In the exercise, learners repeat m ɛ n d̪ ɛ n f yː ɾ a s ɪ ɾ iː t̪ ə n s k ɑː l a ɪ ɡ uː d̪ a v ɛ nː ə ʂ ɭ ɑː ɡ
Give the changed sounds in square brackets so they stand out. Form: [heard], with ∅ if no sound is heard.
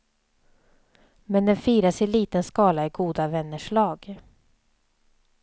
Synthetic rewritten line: m ɛ n d̪ ɛ n f [iː] ɾ a s ɪ [l] iː t̪ ə n s k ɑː l a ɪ ɡ uː d̪ a v ɛ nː ə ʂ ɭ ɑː ɡ